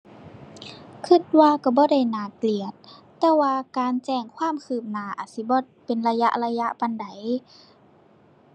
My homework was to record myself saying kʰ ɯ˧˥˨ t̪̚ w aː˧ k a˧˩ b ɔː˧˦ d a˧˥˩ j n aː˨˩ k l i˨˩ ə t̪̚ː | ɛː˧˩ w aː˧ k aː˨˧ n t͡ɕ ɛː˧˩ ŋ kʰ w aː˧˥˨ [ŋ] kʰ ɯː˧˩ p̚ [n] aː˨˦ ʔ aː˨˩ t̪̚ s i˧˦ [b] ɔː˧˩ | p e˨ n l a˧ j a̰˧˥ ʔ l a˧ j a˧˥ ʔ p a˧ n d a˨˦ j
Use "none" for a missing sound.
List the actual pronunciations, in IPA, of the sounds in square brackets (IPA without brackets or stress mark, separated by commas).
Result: m, n, b